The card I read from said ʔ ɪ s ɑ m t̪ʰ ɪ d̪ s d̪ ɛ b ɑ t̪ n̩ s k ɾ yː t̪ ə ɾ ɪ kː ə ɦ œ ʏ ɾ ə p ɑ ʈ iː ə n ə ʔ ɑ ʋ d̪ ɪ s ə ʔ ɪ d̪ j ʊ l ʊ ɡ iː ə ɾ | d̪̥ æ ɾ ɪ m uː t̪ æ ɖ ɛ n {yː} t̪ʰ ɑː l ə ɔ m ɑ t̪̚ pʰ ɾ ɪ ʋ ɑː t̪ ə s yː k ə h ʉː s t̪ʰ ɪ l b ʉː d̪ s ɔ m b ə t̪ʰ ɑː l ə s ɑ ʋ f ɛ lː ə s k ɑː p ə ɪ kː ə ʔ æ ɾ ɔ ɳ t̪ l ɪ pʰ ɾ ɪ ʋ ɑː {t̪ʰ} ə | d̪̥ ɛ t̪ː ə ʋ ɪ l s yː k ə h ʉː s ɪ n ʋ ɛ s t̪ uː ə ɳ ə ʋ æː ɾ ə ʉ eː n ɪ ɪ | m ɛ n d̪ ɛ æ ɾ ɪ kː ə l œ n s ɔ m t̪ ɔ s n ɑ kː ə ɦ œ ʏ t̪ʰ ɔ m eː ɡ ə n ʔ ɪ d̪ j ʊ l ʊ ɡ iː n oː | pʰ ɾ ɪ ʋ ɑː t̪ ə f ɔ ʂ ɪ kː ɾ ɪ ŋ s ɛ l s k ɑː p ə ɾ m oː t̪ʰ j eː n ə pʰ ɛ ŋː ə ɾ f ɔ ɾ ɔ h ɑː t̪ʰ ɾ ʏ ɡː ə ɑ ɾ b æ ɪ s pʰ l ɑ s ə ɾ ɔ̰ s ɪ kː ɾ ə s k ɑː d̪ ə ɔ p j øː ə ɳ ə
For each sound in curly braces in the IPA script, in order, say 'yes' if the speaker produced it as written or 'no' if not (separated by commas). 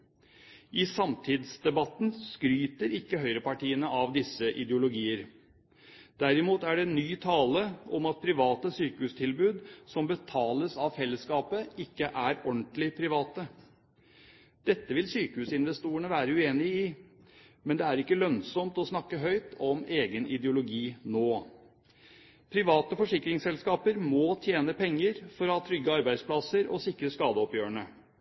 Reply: yes, no